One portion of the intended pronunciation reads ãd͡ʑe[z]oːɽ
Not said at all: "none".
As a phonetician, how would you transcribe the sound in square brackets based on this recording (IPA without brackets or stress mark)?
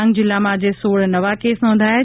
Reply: s